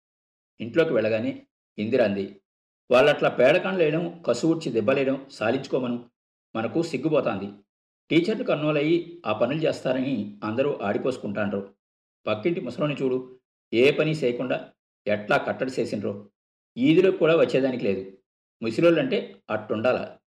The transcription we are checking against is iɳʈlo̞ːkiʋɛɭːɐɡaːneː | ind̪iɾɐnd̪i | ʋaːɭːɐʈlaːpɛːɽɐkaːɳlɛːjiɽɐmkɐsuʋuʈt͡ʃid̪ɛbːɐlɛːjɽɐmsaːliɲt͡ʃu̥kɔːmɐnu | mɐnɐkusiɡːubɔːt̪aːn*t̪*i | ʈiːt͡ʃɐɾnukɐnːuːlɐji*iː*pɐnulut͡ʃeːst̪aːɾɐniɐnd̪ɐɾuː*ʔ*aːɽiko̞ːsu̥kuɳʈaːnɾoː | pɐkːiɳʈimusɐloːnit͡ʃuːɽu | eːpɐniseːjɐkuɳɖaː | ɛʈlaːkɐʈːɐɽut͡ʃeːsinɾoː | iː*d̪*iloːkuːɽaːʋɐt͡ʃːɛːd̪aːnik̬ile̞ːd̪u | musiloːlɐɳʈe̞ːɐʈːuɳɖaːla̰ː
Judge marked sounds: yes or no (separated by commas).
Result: no, no, yes, yes